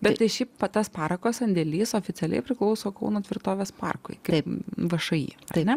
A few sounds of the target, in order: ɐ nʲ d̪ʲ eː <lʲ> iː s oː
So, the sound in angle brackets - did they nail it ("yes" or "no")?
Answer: yes